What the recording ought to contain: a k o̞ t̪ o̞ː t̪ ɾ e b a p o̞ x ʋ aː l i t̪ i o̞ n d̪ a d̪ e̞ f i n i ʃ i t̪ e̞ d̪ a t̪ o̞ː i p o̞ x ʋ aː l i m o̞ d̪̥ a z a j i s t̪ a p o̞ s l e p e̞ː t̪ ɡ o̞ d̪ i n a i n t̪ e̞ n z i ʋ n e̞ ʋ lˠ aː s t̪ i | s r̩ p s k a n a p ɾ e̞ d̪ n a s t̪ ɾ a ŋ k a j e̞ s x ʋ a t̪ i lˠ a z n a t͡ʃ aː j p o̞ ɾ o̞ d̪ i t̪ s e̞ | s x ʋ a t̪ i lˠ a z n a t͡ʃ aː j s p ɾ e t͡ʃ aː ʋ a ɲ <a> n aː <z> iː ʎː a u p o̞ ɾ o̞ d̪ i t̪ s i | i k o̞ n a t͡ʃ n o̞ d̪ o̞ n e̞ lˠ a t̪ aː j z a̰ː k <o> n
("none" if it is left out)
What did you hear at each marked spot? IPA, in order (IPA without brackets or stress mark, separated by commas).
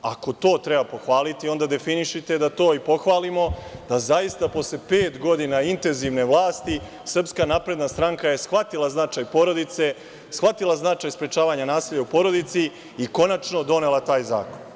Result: a, s, o